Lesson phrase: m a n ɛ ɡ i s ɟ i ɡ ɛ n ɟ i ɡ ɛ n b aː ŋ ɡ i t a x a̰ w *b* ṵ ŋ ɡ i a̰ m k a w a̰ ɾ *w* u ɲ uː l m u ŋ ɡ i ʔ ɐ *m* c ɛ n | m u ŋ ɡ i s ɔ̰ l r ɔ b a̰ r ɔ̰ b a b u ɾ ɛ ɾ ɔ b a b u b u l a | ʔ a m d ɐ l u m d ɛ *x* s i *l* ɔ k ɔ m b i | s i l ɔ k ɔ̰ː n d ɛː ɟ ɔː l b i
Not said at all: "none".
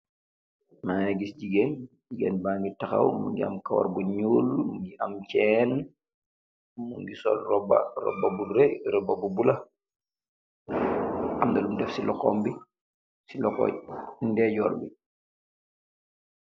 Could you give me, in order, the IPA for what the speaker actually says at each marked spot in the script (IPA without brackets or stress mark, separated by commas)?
m, b, m, f, l